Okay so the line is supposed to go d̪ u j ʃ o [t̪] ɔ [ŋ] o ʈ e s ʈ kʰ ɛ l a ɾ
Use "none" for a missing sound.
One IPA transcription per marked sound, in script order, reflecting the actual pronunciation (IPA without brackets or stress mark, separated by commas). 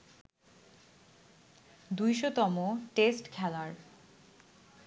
t̪, m